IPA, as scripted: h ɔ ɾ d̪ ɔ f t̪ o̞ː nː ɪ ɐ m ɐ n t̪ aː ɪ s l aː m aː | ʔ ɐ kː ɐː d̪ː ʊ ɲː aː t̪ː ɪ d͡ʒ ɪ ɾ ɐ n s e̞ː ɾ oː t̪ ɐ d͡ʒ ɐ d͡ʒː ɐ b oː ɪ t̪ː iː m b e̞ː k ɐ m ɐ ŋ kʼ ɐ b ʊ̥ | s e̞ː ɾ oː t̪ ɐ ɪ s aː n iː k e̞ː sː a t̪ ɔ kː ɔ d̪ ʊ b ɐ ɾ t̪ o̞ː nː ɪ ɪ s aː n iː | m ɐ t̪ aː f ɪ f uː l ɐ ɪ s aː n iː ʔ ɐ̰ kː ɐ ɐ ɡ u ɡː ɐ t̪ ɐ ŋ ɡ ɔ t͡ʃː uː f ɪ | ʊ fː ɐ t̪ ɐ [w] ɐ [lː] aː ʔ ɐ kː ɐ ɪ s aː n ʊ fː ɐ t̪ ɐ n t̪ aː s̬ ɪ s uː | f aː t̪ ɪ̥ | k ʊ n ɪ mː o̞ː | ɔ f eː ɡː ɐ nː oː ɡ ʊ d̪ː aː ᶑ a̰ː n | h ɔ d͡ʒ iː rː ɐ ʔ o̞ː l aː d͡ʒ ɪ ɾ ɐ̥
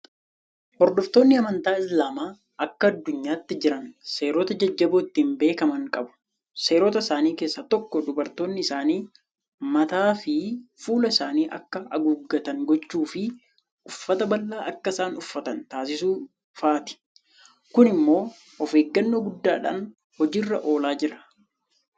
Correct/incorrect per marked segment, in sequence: incorrect: b, correct

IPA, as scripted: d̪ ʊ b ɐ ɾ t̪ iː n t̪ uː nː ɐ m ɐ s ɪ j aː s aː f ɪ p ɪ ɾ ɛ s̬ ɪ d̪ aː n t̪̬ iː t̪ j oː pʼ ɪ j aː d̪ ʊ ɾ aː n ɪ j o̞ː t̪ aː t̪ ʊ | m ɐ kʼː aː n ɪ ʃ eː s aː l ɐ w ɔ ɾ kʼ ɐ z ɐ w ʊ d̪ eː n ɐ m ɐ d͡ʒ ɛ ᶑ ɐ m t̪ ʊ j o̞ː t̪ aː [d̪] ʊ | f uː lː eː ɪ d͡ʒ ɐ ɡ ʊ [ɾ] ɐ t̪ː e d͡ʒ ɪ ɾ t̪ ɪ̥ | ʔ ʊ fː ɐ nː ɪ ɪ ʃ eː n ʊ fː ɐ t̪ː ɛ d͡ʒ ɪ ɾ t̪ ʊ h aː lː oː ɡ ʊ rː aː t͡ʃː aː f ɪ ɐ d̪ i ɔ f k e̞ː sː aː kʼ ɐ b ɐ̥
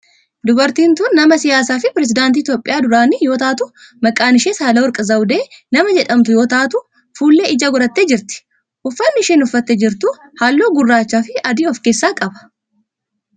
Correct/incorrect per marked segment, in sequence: incorrect: t̪, correct

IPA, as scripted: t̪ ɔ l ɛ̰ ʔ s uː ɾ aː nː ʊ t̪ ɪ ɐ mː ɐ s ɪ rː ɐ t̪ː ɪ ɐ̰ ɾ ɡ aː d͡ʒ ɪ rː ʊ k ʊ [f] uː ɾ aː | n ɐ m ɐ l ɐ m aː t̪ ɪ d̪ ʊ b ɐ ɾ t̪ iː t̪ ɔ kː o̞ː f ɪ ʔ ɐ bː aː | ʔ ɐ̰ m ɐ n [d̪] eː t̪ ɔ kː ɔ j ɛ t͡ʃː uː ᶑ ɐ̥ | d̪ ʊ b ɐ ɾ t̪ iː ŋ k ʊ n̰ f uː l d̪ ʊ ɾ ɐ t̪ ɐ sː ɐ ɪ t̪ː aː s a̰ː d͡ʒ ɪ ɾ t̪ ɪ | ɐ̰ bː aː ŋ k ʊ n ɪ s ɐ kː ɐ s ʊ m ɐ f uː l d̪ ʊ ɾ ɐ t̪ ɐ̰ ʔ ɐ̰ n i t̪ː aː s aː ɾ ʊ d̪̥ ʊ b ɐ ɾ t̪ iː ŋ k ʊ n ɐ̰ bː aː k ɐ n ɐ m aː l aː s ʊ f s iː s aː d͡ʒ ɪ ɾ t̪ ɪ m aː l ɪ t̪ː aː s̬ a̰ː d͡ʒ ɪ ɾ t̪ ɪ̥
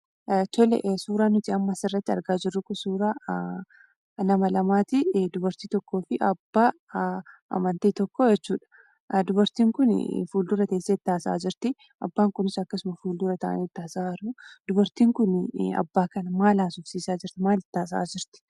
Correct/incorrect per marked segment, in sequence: incorrect: s, incorrect: t̪

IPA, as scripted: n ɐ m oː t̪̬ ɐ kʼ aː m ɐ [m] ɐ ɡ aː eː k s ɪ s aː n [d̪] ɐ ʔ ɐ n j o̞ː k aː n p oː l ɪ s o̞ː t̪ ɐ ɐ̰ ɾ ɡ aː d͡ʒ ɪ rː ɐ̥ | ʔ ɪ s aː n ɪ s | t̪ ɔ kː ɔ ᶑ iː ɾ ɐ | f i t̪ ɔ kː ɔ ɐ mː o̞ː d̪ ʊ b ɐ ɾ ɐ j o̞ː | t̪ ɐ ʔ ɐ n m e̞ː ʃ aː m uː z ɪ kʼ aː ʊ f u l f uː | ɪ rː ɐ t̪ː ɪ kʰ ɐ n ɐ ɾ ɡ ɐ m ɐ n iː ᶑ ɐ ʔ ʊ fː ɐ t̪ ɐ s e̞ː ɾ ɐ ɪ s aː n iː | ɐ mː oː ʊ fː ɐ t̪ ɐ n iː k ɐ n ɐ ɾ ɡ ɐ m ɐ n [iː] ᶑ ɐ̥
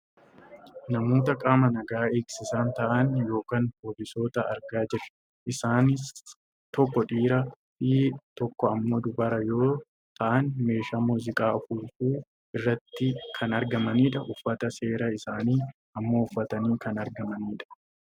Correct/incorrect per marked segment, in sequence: incorrect: n, incorrect: t̪, correct

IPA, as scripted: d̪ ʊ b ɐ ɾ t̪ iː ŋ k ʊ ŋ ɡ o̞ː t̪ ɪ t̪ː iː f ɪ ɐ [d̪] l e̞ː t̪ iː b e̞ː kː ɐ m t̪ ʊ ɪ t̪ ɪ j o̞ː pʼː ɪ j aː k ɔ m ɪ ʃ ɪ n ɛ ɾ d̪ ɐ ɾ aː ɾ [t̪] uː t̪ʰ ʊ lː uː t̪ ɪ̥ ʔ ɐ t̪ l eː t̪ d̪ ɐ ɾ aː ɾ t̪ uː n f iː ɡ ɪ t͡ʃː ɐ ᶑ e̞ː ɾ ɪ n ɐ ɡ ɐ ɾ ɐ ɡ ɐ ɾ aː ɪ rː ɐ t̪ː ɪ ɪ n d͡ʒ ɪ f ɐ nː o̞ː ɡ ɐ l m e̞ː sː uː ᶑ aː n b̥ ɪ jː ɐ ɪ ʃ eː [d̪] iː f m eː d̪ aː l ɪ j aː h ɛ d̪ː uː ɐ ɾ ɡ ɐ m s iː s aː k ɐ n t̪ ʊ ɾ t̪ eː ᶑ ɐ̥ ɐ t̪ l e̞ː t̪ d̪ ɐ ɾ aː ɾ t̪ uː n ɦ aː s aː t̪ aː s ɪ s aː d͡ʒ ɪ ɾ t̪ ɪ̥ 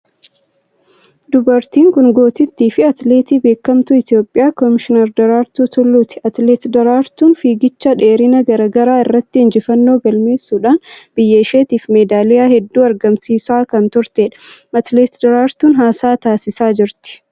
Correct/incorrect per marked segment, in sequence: incorrect: t̪, correct, incorrect: t̪

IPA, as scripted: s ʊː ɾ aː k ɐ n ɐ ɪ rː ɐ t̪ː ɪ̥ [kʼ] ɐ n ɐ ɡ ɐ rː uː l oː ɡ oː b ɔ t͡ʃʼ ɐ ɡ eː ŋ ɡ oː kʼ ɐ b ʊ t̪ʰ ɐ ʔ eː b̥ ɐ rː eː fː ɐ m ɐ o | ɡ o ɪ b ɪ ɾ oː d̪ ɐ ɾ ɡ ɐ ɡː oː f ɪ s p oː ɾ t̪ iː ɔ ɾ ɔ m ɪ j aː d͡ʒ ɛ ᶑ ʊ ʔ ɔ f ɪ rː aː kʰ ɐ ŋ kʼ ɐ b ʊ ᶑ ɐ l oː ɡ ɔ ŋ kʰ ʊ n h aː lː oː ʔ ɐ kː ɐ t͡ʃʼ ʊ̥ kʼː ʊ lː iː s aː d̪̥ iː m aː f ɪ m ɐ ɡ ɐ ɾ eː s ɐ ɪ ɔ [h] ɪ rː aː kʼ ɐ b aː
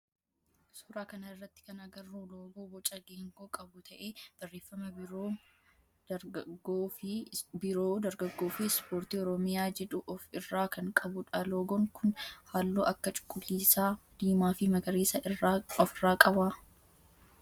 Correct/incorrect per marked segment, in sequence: incorrect: k, incorrect: f

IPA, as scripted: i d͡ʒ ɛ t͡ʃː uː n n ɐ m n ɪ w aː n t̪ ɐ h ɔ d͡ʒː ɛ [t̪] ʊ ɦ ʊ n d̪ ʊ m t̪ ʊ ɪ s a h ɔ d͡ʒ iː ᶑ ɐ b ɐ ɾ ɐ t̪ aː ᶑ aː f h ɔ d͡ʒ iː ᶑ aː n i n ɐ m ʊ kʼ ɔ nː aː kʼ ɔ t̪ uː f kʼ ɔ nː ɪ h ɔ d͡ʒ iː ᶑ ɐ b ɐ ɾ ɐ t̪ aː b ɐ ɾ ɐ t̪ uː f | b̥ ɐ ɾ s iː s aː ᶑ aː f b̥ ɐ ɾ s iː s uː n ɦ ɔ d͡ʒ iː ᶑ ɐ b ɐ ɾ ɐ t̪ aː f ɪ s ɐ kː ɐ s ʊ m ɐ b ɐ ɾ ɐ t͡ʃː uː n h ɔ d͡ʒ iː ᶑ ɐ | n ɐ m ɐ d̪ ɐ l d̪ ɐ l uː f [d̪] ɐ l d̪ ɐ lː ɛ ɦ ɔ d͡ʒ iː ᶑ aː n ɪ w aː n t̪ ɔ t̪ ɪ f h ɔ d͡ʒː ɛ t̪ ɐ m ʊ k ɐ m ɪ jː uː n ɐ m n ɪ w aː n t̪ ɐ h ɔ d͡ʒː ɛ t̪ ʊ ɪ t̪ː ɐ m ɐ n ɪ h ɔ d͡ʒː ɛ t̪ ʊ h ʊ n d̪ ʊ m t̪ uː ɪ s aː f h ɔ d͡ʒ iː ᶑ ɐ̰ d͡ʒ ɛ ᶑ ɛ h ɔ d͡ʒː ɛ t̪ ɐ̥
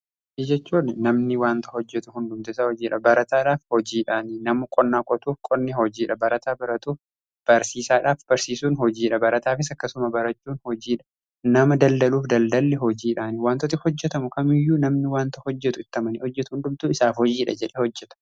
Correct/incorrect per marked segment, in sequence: correct, correct

